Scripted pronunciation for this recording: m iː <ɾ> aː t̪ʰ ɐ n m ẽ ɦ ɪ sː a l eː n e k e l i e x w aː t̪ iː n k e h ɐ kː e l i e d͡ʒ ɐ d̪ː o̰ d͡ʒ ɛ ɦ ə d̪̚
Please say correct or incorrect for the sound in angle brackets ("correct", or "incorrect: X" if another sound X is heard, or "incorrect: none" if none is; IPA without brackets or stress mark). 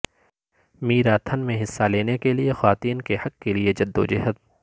correct